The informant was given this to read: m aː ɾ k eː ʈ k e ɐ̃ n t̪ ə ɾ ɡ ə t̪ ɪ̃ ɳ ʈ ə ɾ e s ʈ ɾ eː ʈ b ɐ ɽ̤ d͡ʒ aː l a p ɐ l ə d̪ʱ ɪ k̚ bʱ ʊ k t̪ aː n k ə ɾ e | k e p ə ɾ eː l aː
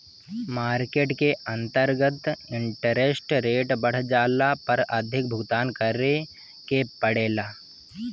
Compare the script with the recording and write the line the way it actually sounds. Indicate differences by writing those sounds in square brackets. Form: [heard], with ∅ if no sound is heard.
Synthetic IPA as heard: m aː ɾ k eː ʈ k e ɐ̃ n t̪ ə ɾ ɡ ə t̪ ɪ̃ ɳ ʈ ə ɾ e s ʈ ɾ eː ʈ b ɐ ɽ̤ d͡ʒ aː l a p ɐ [ɾ] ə d̪ʱ ɪ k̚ bʱ ʊ [ɡ] t̪ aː n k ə ɾ e | k e p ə [ɽ] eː l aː